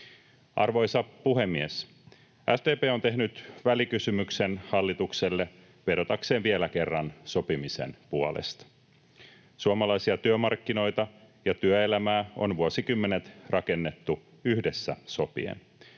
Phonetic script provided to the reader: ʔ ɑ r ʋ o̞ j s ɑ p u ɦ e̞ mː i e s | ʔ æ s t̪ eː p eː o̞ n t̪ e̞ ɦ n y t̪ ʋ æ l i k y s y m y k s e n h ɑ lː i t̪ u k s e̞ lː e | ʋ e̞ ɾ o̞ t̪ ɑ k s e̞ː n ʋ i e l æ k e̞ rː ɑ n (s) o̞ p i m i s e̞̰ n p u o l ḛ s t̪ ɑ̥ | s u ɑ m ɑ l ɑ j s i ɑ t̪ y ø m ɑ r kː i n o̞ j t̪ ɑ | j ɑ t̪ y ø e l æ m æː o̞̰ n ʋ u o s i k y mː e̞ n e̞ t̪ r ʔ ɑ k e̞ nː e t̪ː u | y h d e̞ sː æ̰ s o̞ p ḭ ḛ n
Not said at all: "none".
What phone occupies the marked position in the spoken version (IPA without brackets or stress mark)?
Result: s